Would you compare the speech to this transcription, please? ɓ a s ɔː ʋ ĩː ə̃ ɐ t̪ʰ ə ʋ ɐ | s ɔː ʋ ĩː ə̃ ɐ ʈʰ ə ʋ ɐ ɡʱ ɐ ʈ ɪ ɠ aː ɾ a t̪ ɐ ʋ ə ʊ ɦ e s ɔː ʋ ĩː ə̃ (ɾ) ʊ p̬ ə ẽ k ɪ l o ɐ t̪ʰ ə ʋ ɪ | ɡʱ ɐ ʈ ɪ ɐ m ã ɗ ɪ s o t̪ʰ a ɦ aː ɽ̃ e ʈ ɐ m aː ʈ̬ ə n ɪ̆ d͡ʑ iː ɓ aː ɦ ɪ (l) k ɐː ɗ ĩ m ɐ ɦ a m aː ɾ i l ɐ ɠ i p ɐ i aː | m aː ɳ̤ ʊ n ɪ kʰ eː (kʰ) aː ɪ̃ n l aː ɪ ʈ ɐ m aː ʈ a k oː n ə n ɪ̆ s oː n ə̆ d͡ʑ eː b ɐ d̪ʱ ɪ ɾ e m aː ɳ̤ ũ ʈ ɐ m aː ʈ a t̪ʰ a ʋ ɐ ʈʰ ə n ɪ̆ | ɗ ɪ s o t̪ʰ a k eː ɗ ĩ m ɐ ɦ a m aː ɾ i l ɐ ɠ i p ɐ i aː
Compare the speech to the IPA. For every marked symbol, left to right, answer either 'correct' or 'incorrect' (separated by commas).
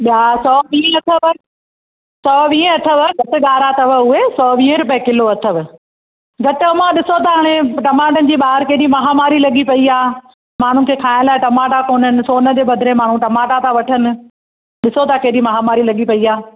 correct, incorrect, correct